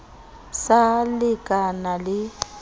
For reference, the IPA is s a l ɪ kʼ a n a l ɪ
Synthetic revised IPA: s a l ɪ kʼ a n a l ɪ